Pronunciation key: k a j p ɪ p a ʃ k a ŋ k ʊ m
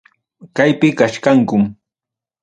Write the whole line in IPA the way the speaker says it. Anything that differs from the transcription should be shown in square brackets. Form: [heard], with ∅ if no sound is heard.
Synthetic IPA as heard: k a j p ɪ [k] a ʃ k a ŋ k ʊ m

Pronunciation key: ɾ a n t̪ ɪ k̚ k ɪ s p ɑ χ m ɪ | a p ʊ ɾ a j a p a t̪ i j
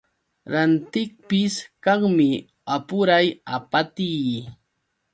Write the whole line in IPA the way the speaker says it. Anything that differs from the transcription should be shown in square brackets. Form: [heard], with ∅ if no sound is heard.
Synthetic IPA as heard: ɾ a n t̪ ɪ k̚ [p] ɪ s [k] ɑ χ m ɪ | a p ʊ ɾ a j a p a t̪ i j

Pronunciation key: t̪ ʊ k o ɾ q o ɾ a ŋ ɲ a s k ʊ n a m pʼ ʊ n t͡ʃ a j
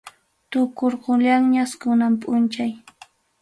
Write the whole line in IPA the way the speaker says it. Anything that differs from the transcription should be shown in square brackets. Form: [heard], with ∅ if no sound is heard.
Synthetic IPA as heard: t̪ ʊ k o ɾ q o [ʎ] a ŋ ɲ a s k ʊ n a m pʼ ʊ n t͡ʃ a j

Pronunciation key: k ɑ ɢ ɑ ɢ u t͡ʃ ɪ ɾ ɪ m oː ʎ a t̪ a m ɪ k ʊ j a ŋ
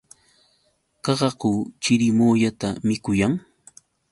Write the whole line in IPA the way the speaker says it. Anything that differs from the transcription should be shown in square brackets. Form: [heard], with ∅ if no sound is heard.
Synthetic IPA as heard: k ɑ ɢ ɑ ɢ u t͡ʃ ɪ ɾ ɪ m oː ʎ a t̪ a m ɪ k ʊ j a ŋ

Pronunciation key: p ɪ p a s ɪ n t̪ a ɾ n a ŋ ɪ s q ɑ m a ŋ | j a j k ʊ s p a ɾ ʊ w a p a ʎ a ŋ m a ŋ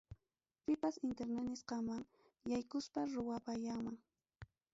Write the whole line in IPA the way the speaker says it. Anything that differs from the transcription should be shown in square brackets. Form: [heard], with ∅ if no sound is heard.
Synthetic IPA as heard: p ɪ p a s ɪ n t̪ [e] ɾ n a [n] ɪ s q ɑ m a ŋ | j a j k ʊ s p a ɾ ʊ w a p a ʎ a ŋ m a ŋ

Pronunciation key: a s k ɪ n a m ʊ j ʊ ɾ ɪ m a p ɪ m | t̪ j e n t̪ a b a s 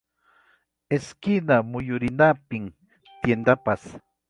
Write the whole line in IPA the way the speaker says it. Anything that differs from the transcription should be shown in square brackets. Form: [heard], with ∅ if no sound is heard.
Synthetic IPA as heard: [e] s k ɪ n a m ʊ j ʊ ɾ ɪ [n] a p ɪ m | t̪ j e n [d̪] a [p] a s

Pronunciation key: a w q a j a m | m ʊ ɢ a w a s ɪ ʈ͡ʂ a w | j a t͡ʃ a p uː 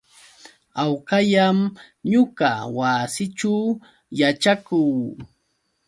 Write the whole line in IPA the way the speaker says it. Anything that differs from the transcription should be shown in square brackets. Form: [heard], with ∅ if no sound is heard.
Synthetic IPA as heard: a w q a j a m | [ɲ] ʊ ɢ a w a s ɪ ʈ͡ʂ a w | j a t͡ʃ a [k] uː

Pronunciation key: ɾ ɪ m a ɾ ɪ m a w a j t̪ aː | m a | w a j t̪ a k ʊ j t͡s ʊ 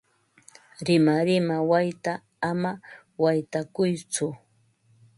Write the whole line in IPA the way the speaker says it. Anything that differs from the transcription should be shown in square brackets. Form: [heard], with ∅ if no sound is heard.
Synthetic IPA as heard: ɾ ɪ m a ɾ ɪ m a w a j t̪ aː | m a | w a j t̪ a k ʊ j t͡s ʊ

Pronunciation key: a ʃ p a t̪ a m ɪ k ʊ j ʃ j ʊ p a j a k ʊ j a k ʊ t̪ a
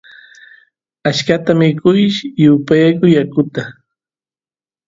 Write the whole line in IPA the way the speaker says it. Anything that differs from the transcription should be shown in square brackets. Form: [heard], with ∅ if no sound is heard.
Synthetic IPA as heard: a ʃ [k] a t̪ a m ɪ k ʊ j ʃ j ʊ p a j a k ʊ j a k ʊ t̪ a

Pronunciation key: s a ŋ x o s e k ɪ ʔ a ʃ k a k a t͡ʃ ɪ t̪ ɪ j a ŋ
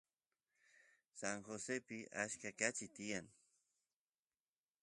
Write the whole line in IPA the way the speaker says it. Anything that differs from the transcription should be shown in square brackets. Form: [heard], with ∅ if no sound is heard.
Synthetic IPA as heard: s a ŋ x o s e [p] ɪ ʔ a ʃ k a k a t͡ʃ ɪ t̪ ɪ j a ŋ

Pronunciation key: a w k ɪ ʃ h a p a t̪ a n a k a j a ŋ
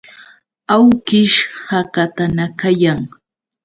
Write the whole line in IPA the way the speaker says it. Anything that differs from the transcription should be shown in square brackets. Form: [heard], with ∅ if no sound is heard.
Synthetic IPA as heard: a w k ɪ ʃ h a [k] a t̪ a n a k a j a ŋ

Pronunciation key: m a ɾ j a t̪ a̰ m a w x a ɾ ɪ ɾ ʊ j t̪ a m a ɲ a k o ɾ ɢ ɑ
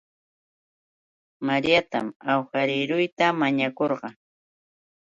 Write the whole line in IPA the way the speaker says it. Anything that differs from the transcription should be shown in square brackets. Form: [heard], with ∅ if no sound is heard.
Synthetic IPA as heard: m a ɾ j a t̪ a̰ m a w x a ɾ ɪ ɾ ʊ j t̪ a m a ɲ a k o ɾ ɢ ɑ

